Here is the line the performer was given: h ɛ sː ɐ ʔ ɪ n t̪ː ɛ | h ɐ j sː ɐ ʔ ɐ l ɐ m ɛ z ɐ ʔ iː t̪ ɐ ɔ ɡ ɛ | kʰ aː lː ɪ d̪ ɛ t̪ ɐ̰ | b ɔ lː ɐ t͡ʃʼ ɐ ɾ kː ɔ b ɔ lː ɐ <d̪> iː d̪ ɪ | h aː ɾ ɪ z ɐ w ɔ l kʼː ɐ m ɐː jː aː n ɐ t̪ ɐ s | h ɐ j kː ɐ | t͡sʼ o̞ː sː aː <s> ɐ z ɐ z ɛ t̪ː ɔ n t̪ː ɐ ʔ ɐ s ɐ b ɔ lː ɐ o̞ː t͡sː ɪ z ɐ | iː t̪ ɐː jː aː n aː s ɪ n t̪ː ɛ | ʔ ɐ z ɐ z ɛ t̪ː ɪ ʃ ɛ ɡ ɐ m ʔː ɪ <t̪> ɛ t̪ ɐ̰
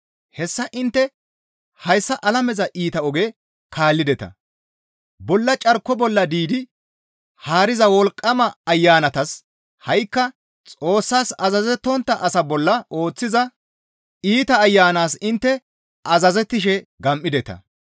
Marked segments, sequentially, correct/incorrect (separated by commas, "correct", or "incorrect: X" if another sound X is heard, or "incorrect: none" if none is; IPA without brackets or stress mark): correct, correct, incorrect: d̪